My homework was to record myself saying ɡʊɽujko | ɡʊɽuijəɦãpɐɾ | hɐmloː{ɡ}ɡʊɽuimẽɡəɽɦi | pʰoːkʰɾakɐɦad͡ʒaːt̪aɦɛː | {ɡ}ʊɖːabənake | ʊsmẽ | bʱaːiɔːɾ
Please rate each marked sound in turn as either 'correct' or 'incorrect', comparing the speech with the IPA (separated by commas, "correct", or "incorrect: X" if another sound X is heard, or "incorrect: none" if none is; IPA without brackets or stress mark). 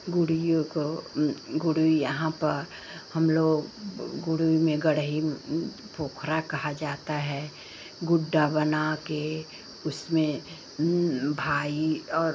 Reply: correct, correct